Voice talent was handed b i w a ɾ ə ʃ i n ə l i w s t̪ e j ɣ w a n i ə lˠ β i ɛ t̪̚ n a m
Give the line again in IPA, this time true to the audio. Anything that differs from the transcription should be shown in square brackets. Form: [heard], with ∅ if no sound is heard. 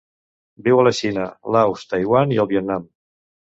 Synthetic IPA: b i w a [l] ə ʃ i n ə l [a] w s t̪ [a] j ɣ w a n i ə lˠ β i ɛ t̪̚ n a m